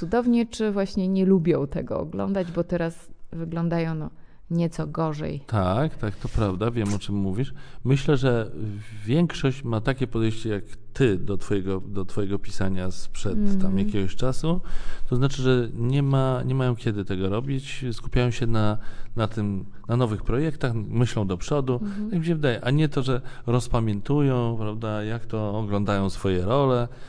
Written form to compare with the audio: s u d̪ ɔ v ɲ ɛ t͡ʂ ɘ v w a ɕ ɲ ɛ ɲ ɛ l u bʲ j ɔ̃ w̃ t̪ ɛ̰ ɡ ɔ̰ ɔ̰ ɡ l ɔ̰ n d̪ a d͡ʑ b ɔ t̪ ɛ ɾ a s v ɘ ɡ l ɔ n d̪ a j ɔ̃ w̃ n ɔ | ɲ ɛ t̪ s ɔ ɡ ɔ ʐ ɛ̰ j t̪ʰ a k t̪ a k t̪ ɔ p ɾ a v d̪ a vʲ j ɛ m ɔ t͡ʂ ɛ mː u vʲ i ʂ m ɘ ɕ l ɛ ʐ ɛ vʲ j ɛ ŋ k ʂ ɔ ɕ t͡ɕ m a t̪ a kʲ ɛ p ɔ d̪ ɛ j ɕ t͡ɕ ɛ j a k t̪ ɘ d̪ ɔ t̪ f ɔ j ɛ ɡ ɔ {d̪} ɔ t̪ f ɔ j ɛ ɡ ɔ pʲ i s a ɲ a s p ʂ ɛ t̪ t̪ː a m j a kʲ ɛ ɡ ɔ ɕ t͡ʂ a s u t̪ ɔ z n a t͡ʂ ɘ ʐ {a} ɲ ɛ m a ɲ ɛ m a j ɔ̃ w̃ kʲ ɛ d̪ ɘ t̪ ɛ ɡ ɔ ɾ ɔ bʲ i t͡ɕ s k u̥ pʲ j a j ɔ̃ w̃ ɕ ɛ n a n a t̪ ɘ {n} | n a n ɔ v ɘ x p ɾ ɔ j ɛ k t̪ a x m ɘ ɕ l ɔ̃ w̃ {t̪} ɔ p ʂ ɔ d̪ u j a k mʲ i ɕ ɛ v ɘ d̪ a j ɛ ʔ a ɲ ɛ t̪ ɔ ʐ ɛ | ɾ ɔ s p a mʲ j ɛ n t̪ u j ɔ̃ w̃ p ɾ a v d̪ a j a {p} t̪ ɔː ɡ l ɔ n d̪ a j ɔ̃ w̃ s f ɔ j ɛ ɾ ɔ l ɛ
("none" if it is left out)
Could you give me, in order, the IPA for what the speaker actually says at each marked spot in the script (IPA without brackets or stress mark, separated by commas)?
d̪, ɛ, m, d̪, k